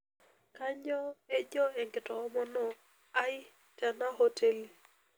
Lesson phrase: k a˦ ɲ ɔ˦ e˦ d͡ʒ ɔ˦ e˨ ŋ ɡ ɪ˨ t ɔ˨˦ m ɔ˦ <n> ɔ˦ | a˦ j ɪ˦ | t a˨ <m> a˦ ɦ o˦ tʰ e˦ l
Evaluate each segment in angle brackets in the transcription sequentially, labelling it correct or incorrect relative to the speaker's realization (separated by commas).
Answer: correct, incorrect